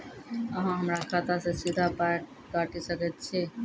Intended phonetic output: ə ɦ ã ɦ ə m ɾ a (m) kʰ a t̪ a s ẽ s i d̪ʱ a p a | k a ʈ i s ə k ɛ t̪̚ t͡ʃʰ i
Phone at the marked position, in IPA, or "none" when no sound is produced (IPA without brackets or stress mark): none